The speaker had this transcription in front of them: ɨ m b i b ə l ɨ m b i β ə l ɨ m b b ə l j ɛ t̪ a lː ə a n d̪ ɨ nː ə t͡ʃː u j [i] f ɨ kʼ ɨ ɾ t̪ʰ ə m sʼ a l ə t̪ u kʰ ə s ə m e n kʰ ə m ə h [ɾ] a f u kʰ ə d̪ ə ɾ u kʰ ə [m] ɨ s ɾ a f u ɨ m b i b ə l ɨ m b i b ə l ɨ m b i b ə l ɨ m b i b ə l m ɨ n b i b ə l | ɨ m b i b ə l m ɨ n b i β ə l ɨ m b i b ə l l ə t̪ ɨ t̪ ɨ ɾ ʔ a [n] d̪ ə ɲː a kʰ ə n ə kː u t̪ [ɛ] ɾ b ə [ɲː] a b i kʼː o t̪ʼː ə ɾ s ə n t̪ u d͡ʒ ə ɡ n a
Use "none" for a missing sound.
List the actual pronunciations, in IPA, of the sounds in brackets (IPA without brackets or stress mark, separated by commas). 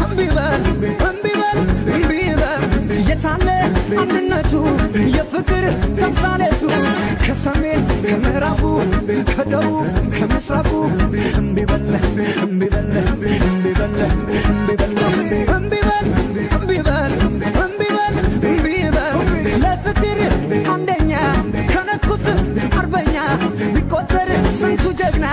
ɛ, ɾ, m, n, a, ɲː